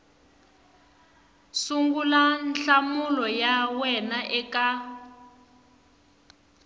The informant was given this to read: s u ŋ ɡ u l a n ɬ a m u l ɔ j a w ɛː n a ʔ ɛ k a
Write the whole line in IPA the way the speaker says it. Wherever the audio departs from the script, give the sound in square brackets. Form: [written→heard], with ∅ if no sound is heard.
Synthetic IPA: s u ŋ ɡ u l a n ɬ a m u l ɔ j a w [ɛː→ɛ] n a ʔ ɛ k a